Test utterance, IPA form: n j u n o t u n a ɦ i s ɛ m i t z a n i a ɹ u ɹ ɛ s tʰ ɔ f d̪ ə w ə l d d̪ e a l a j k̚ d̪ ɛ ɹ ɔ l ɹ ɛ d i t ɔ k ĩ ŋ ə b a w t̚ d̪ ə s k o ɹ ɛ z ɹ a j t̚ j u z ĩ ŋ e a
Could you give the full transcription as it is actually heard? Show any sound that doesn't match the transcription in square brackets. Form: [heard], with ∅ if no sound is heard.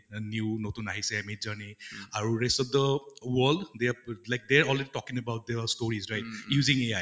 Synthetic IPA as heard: n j u n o t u n a ɦ i s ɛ m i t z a n i a ɹ u ɹ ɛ s [t] ɔ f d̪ ə w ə l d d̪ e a l a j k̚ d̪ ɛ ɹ ɔ l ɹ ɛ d i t ɔ k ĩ ŋ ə b a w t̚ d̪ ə s [t] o ɹ [i] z ɹ a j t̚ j u z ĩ ŋ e a